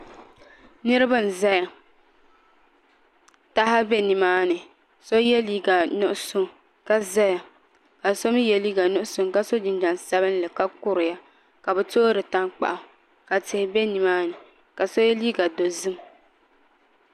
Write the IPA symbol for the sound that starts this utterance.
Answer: n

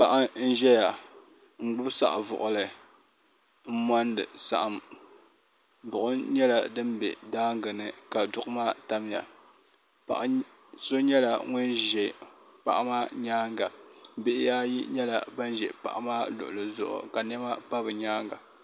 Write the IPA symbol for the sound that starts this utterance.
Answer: p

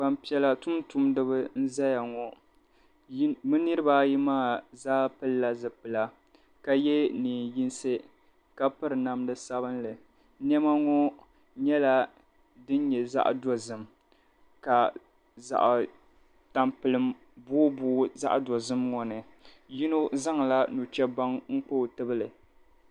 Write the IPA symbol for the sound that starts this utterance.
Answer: b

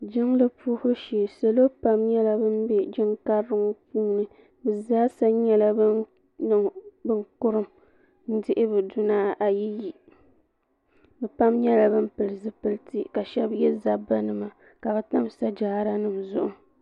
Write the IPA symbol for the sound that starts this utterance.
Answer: d͡ʒ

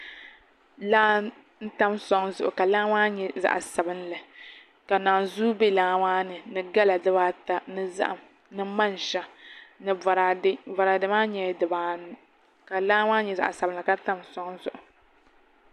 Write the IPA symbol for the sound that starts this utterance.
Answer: l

